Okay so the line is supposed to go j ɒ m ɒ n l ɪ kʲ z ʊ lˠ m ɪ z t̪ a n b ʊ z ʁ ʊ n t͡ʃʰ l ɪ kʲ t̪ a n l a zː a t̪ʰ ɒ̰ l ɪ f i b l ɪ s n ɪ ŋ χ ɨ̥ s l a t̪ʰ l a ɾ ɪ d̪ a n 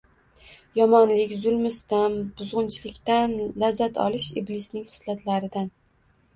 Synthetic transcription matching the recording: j ɒ m ɒ n l ɪ kʲ z ʊ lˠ m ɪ s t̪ a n b ʊ z ʁ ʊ n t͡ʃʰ l ɪ kʲ t̪ a n l a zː a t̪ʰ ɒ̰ l ɪ ʃ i b l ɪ s n ɪ ŋ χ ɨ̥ s l a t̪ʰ l a ɾ ɪ d̪ a n